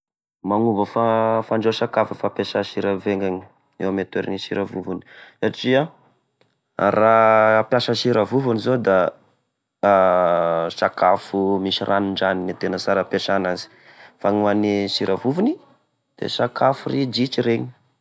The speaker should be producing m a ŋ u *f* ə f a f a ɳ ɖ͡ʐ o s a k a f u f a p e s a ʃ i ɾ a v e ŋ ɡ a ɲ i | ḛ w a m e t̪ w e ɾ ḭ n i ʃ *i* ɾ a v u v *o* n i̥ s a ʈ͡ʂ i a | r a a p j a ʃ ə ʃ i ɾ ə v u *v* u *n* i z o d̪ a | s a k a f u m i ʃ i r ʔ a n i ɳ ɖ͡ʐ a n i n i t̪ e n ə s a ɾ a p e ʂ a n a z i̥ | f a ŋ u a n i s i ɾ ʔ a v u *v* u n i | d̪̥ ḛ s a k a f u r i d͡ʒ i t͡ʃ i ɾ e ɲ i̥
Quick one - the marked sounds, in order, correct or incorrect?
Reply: incorrect, correct, incorrect, correct, correct, correct

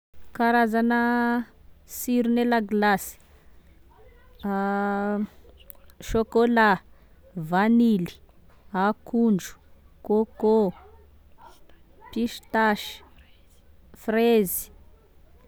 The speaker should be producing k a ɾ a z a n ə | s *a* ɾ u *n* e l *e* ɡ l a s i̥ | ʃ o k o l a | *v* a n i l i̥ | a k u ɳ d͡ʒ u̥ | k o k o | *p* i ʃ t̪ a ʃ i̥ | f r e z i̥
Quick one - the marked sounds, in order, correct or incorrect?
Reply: incorrect, correct, incorrect, correct, correct

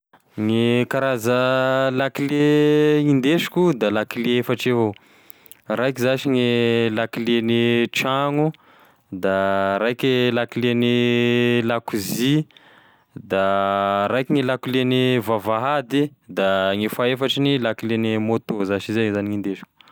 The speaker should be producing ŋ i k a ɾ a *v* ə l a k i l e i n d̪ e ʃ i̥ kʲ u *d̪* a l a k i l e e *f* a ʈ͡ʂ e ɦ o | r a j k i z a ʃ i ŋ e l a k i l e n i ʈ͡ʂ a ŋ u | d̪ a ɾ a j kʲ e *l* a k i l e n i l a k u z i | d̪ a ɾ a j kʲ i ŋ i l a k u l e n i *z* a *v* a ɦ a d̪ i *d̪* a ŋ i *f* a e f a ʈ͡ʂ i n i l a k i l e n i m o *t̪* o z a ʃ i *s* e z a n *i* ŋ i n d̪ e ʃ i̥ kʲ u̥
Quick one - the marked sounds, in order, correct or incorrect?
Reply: incorrect, correct, correct, correct, incorrect, correct, correct, correct, correct, incorrect, correct

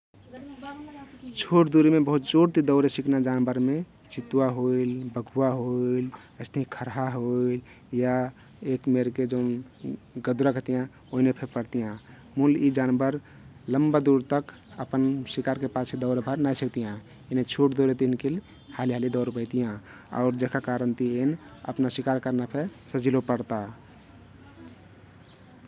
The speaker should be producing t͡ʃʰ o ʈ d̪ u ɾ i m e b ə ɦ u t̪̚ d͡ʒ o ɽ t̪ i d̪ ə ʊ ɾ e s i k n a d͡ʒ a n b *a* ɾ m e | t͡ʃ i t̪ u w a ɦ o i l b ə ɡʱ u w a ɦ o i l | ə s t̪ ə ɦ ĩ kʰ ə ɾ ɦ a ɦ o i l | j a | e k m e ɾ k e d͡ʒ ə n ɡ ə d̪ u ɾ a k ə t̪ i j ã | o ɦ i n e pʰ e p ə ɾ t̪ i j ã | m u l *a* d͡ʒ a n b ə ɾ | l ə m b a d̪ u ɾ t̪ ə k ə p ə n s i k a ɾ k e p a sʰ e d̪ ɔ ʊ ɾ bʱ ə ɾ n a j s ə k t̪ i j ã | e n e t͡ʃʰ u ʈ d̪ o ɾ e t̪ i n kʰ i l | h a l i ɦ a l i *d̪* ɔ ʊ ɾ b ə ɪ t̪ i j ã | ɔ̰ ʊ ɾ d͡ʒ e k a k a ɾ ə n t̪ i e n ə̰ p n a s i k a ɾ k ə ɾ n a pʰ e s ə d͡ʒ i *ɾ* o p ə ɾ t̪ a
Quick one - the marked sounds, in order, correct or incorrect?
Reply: incorrect, incorrect, correct, incorrect

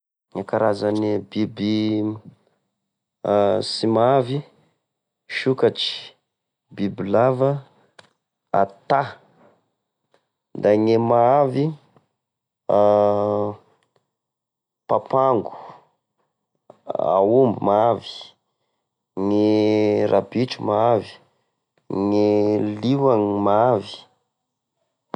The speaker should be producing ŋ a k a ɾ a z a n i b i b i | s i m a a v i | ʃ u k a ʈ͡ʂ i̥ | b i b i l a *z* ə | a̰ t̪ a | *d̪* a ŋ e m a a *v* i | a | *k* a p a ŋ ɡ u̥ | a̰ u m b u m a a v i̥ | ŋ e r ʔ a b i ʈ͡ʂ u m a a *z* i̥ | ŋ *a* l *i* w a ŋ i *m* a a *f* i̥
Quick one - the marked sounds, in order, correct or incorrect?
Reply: incorrect, correct, correct, incorrect, incorrect, incorrect, correct, correct, incorrect

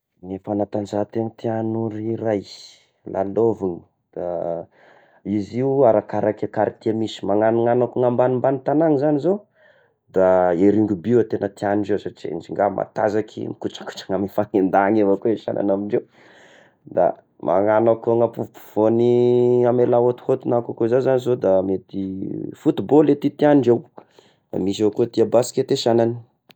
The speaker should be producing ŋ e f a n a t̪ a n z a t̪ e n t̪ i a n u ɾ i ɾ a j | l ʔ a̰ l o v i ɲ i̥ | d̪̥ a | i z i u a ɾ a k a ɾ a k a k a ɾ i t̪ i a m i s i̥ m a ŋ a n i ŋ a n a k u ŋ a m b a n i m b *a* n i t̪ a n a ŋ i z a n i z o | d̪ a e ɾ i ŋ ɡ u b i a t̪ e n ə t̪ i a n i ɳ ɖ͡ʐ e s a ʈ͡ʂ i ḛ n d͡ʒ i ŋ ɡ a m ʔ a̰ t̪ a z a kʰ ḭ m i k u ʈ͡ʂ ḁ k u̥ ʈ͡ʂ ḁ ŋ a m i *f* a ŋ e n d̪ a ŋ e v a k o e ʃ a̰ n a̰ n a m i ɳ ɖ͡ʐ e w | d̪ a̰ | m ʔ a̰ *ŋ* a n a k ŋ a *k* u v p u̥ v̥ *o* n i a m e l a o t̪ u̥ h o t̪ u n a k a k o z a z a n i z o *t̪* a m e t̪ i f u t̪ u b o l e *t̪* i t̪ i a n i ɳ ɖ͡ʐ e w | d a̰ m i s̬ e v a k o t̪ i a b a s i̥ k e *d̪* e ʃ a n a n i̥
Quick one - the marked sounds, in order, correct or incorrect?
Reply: correct, correct, correct, incorrect, correct, incorrect, correct, incorrect

